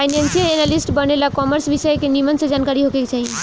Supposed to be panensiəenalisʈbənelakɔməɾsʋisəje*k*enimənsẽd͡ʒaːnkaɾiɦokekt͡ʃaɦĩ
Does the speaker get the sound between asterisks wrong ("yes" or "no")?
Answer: no